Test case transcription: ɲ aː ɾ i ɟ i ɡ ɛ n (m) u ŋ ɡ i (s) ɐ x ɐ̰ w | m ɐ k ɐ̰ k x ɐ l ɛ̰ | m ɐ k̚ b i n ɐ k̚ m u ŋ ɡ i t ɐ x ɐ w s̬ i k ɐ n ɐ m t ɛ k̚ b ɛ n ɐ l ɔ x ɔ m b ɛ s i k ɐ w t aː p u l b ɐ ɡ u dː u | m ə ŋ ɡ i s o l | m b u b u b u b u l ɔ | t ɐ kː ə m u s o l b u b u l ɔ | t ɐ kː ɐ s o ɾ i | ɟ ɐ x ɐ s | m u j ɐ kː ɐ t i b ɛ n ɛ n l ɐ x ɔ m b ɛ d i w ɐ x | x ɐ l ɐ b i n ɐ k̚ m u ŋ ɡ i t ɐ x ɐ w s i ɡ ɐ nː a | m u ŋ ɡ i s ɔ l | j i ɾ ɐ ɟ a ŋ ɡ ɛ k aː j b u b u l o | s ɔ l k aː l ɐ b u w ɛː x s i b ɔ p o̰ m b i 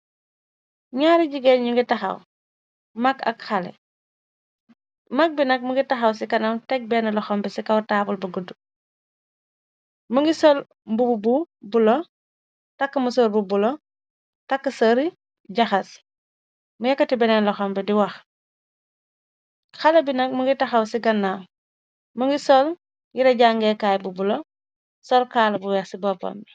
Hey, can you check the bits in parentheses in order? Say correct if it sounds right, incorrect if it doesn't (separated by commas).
incorrect, incorrect